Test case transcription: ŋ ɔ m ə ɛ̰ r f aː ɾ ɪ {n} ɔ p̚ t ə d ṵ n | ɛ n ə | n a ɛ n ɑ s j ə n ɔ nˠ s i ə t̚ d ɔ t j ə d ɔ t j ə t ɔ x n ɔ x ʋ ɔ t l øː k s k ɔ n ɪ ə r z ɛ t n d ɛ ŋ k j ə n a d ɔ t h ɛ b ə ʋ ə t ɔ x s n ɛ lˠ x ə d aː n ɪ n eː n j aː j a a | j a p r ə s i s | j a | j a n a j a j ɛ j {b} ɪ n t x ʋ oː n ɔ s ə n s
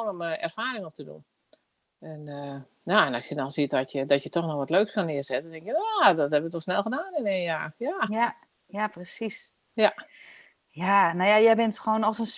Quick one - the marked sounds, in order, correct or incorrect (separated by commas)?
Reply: incorrect, correct